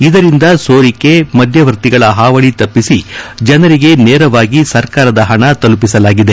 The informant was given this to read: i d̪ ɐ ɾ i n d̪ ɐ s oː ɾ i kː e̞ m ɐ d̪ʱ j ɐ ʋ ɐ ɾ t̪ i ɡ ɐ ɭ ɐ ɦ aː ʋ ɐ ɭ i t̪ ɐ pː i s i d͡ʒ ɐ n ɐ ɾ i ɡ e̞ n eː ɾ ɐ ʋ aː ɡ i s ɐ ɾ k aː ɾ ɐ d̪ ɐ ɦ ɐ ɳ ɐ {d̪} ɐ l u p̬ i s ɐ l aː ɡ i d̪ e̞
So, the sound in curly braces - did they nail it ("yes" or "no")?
no